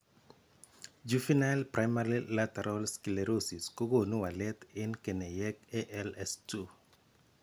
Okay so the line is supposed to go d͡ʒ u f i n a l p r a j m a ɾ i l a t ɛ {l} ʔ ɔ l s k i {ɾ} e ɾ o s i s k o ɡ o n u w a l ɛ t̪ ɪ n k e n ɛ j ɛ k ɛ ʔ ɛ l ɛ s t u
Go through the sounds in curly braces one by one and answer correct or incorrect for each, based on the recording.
incorrect: ɾ, incorrect: l

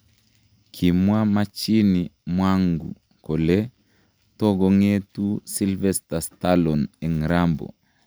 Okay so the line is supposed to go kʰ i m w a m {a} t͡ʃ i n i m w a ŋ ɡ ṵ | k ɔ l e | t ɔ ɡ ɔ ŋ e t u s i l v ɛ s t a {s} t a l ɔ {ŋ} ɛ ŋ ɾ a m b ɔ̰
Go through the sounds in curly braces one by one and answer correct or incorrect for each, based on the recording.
correct, correct, incorrect: n

